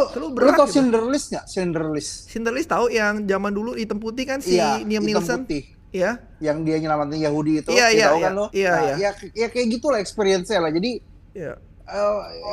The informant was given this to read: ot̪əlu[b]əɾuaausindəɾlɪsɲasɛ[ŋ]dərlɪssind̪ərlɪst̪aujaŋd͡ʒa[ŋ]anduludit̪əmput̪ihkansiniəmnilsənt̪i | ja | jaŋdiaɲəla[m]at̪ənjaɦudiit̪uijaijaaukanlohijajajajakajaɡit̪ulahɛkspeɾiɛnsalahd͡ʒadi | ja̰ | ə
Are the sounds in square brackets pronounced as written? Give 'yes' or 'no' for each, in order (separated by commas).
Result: yes, no, no, yes